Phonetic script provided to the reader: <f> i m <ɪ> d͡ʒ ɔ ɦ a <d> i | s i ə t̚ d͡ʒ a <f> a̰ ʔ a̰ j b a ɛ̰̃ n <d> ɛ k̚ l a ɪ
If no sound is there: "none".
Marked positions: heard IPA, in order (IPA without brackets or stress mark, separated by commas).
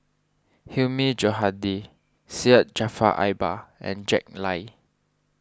h, i, d, f, d͡ʒ